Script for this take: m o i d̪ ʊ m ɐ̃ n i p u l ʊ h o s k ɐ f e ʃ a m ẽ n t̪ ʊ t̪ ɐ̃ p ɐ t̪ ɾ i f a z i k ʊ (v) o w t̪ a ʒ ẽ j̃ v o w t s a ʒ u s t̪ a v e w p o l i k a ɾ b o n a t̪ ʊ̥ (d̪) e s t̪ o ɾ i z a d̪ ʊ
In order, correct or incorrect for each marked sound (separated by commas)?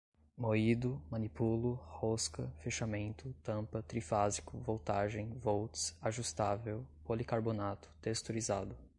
correct, incorrect